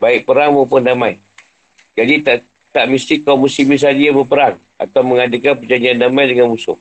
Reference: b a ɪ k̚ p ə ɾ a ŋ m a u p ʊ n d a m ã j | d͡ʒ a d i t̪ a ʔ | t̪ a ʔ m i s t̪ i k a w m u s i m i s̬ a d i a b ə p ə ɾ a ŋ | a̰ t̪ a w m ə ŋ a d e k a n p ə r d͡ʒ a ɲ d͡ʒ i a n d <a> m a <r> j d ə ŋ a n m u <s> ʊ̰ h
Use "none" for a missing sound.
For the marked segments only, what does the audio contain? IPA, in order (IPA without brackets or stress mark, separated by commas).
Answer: a, none, s